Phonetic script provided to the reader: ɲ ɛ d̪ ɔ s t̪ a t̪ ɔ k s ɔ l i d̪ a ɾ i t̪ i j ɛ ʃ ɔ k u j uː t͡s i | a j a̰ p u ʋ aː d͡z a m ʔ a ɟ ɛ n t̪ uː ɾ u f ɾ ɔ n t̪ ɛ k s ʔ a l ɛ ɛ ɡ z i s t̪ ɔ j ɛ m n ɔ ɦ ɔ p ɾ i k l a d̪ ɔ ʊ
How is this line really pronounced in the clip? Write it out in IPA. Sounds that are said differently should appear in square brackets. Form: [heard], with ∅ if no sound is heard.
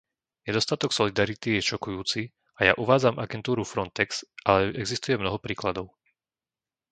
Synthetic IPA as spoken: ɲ ɛ d̪ ɔ s t̪ a t̪ ɔ k s ɔ l i d̪ a ɾ i t̪ i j ɛ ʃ ɔ k u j uː t͡s i | a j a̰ [ʔ] u ʋ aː d͡z a m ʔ a [ɡ] ɛ n t̪ uː ɾ u f ɾ ɔ n t̪ ɛ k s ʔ a l ɛ ɛ ɡ z i s t̪ [u] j ɛ m n ɔ ɦ ɔ p ɾ [iː] k l a d̪ ɔ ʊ